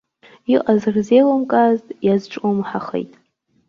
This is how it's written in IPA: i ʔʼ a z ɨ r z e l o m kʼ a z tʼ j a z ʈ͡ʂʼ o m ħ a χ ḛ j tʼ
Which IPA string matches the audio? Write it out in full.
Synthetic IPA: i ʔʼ a z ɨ r z e l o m kʼ a z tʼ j a z ʈ͡ʂʼ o m ħ a χ ḛ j tʼ